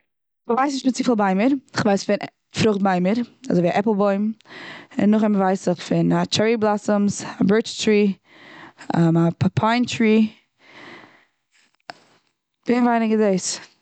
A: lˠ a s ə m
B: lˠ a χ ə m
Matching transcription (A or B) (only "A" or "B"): A